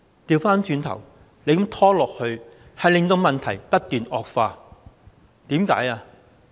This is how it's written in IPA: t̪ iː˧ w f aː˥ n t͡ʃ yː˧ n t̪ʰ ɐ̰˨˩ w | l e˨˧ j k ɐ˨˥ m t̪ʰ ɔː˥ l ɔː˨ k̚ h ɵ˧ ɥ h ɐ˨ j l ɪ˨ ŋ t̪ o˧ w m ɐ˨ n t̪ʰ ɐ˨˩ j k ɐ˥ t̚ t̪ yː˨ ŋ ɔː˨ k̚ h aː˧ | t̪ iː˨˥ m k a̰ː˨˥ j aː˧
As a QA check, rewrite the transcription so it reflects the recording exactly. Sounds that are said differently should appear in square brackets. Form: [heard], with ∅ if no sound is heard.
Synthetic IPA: t̪ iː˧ w f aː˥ n t͡ʃ yː˧ n t̪ʰ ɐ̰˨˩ w | l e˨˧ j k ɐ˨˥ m t̪ʰ ɔː˥ l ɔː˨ k̚ h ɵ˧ ɥ h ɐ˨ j l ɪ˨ ŋ t̪ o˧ w m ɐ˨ n t̪ʰ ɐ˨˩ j [p] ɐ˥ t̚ t̪ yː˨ [n] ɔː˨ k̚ [f] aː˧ | t̪ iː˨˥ m k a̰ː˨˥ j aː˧